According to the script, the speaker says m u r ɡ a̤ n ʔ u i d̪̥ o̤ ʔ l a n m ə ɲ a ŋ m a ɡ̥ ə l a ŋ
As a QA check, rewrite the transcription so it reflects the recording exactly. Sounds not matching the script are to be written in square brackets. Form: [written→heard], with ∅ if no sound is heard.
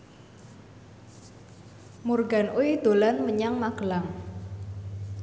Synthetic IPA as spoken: m u r ɡ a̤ n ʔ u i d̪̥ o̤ [ʔ→∅] l a n m ə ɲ a ŋ m a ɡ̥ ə l a ŋ